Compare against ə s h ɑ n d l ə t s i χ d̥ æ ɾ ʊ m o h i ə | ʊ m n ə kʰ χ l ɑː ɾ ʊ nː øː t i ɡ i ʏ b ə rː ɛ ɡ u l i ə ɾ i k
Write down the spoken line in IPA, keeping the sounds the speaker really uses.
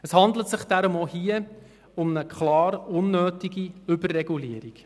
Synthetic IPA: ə s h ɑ n d l ə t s ɪ χ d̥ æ ɾ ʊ m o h i ə | ʊ m n ə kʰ χ l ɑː ɾ ʊ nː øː t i ɡ i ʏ b ə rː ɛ ɡ u l i ə ɾ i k